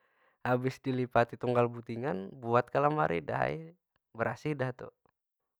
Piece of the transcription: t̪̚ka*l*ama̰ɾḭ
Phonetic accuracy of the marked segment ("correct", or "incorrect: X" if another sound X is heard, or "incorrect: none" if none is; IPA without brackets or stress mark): correct